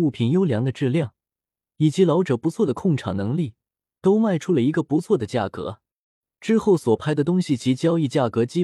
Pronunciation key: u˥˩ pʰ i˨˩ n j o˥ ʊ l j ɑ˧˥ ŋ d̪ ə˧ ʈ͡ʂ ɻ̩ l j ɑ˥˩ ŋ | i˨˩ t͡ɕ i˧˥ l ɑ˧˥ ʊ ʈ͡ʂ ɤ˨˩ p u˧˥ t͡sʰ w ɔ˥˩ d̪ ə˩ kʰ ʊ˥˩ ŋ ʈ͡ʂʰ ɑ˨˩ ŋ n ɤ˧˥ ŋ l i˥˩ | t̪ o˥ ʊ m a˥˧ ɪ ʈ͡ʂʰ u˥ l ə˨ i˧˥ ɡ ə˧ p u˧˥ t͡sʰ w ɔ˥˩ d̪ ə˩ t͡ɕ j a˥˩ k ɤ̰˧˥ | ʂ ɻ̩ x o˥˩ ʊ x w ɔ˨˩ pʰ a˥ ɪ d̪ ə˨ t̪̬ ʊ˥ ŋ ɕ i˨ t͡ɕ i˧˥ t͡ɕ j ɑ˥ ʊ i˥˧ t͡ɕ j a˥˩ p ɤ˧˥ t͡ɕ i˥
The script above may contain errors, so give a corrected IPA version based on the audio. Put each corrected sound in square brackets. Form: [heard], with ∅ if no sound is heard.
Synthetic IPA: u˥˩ pʰ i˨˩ n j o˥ ʊ l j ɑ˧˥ ŋ d̪ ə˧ ʈ͡ʂ ɻ̩ l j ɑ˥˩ ŋ | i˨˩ t͡ɕ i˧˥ l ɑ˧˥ ʊ ʈ͡ʂ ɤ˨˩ p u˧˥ t͡sʰ w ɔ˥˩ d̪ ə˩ kʰ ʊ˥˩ ŋ ʈ͡ʂʰ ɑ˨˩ ŋ n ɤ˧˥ ŋ l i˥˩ | t̪ o˥ ʊ m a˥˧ ɪ ʈ͡ʂʰ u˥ l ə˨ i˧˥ ɡ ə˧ p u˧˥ t͡sʰ w ɔ˥˩ d̪ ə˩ t͡ɕ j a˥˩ k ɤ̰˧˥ | [ʈ͡ʂ] ɻ̩ x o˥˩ ʊ [s] w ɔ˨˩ pʰ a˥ ɪ d̪ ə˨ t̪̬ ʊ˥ ŋ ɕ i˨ t͡ɕ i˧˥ t͡ɕ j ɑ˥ ʊ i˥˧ t͡ɕ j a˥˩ [k] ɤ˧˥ t͡ɕ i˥